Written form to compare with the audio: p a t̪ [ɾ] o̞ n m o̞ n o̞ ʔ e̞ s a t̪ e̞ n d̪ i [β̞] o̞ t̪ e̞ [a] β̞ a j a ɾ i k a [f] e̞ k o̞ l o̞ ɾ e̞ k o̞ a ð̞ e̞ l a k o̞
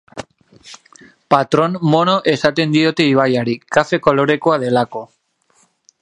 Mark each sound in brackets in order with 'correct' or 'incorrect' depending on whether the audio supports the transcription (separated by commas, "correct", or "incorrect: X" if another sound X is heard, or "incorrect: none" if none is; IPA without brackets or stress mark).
correct, incorrect: none, incorrect: i, correct